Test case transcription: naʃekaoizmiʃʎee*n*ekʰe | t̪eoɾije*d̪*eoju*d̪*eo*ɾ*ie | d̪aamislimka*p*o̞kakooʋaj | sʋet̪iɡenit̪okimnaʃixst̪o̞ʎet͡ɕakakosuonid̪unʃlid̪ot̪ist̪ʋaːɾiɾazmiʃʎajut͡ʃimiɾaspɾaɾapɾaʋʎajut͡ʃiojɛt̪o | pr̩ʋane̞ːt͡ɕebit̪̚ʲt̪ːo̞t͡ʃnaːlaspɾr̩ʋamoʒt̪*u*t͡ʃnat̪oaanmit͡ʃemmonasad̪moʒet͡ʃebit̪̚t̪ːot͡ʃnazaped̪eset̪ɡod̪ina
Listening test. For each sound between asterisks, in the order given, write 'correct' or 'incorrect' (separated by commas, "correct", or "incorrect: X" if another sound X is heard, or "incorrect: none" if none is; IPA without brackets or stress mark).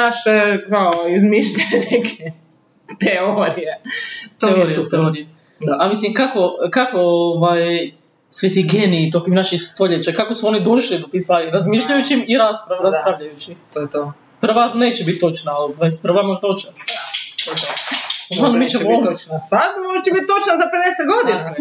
correct, incorrect: t̪, incorrect: t̪, correct, incorrect: k, incorrect: o